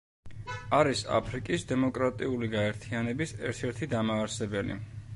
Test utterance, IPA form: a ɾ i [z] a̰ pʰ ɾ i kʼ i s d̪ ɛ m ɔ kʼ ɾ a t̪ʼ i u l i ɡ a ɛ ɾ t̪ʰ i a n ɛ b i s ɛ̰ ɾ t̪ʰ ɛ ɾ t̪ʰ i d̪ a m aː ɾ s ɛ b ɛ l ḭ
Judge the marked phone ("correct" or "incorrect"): incorrect